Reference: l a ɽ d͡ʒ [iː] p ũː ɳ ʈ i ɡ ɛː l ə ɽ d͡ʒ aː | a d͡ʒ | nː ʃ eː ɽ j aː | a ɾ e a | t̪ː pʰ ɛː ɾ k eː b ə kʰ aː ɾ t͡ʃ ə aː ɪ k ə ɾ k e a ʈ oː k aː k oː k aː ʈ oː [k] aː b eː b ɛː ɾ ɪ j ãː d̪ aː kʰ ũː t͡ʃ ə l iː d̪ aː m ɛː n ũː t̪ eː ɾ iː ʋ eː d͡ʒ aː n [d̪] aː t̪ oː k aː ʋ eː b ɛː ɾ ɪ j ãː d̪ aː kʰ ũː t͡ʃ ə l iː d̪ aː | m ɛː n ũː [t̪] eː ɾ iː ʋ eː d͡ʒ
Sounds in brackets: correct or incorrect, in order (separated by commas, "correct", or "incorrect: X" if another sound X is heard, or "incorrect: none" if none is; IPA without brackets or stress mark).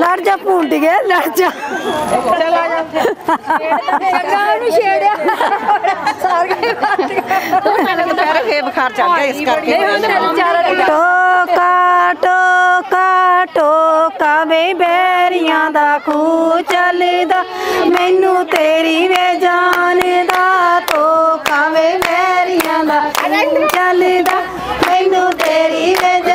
incorrect: aː, correct, correct, correct